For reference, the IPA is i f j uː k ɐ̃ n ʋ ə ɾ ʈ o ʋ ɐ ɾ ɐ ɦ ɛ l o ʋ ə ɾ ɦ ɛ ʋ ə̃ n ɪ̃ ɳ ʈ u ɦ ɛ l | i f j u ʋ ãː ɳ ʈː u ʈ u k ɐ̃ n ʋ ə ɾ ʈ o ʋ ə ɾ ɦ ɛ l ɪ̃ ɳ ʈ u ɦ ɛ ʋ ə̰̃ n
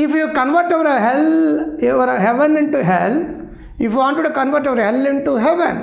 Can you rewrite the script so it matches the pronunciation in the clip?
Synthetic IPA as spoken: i f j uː k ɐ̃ n ʋ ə ɾ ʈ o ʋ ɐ ɾ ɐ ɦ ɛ l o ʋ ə ɾ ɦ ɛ ʋ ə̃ n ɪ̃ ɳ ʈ u ɦ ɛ l | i f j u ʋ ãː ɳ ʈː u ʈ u k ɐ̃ n ʋ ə ɾ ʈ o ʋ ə ɾ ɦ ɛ l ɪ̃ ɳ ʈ u ɦ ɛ ʋ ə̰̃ n